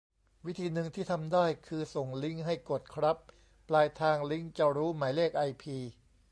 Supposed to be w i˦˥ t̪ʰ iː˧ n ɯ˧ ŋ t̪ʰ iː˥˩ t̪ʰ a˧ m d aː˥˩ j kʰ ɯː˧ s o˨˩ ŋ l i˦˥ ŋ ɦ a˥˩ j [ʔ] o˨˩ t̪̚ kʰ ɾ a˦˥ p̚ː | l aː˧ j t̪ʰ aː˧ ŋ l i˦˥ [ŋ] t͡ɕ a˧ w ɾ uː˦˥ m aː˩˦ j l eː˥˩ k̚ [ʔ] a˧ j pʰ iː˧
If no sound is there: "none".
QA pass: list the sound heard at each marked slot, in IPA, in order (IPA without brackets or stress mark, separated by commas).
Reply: k, ŋ, ʔ